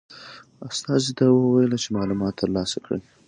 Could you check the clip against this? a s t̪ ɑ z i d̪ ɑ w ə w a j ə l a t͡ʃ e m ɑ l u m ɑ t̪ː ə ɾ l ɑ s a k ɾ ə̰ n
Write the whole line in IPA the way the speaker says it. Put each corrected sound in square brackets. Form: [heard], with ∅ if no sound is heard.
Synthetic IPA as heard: a s t̪ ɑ z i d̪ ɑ w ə w a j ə l a t͡ʃ e m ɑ l u m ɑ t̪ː ə ɾ l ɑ s a k [ɽ] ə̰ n